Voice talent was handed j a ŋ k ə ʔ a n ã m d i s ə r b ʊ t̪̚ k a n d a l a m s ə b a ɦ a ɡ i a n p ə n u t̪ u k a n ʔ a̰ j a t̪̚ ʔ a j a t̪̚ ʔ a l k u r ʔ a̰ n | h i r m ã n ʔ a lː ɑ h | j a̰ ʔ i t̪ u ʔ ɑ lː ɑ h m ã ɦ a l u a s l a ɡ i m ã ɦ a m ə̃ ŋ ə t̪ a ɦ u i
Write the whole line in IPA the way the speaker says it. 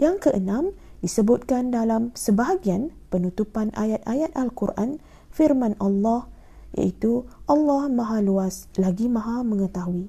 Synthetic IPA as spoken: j a ŋ k ə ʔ ə n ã m d i s ə b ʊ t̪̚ k a n d a l a m s ə b a ɦ a ɡ i a n p ə n u t̪ u p a n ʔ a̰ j a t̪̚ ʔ a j a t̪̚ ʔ a l k u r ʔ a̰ n | f i r m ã n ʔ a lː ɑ h | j a̰ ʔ i t̪ u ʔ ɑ lː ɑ h m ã ɦ a l u a s l a ɡ i m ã ɦ a m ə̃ ŋ ə t̪ a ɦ u i